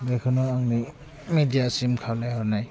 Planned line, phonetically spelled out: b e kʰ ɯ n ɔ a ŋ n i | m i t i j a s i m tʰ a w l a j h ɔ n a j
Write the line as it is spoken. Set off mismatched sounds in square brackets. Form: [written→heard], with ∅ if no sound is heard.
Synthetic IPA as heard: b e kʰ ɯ n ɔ a ŋ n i | m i [t→d] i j a s i m [tʰ→kʰ] a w l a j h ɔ n a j